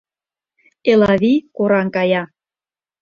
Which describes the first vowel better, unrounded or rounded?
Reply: unrounded